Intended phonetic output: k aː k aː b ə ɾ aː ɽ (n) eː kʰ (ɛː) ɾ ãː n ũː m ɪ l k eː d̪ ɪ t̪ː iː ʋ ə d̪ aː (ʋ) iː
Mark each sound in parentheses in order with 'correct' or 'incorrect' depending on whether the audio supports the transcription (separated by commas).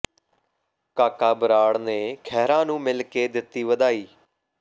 correct, correct, incorrect